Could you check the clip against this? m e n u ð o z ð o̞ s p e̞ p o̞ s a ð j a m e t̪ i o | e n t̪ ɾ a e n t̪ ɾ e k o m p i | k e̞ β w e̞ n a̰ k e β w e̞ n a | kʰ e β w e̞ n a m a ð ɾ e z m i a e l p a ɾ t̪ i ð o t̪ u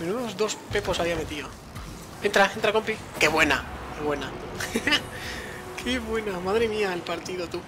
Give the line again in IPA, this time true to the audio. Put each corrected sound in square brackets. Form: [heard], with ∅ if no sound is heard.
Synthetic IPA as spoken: m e n u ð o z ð o̞ s p e̞ p o̞ s a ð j a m e t̪ i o | e n t̪ ɾ a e n t̪ ɾ [a] k o m p i | k e̞ β w e̞ n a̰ k e β w e̞ n a | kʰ e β w e̞ n a m a ð ɾ e [∅] m i a e l p a ɾ t̪ i ð o t̪ u

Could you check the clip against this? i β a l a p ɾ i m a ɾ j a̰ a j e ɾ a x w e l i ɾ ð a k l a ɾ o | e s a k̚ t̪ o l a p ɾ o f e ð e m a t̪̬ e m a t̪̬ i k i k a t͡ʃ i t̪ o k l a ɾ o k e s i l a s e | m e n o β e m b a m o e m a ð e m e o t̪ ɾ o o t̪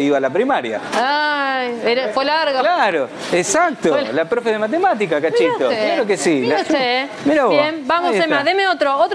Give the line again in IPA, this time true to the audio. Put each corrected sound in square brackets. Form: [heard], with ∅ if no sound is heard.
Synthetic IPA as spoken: i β a l a p ɾ i m a ɾ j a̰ a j e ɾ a [f] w e l [a] ɾ [ɣ] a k l a ɾ o | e s a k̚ t̪ o l a p ɾ o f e ð e m a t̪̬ e m a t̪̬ i k [a] k a t͡ʃ i t̪ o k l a ɾ o k e s i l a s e | m e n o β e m b a m o e m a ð e m e o t̪ ɾ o o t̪

